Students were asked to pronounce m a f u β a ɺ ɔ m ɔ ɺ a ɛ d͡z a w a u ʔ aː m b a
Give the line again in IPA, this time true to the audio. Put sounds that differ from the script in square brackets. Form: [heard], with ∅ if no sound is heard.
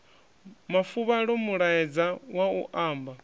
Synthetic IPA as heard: m a f u β a ɺ ɔ m [u] ɺ a ɛ d͡z a w a u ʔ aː m b a